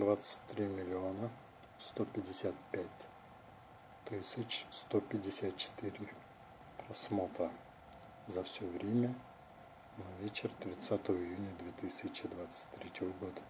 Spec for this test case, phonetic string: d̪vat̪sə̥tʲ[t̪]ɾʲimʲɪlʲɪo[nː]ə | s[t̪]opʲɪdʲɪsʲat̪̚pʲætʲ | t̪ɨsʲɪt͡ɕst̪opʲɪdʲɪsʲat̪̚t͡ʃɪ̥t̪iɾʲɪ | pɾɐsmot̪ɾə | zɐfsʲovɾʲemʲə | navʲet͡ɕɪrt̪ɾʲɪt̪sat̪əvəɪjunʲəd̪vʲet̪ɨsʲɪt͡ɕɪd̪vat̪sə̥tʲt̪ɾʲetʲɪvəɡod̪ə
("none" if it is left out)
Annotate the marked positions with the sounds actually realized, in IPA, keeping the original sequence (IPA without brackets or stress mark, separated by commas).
t̪, n, t̪